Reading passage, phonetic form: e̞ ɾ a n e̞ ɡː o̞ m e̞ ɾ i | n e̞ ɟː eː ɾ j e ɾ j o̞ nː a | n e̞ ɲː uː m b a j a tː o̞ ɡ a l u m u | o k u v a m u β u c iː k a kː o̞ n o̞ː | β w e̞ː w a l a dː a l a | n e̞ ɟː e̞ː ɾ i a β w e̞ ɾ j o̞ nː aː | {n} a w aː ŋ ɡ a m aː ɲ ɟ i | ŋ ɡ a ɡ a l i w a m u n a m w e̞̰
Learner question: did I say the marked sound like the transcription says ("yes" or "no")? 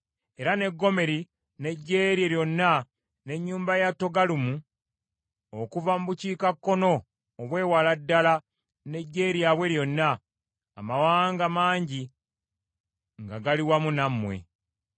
no